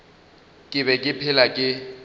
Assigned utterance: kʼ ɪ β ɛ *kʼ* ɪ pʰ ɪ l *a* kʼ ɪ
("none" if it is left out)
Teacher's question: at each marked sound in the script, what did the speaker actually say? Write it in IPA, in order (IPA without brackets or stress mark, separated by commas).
kʼ, a